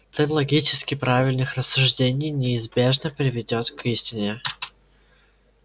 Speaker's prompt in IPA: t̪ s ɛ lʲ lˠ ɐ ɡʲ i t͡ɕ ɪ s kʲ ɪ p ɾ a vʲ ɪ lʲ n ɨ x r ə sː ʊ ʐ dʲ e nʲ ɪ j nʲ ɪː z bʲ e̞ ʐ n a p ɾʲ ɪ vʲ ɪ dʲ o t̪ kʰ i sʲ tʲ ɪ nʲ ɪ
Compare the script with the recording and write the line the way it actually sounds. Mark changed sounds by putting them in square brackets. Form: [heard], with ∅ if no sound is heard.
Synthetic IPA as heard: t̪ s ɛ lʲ lˠ ɐ ɡʲ i t͡ɕ ɪ s kʲ ɪ p ɾ a vʲ ɪ lʲ n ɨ x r ə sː ʊ ʐ dʲ e nʲ ɪ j nʲ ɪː z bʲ e̞ ʐ n [ə] p ɾʲ ɪ vʲ ɪ dʲ o t̪ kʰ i sʲ tʲ ɪ nʲ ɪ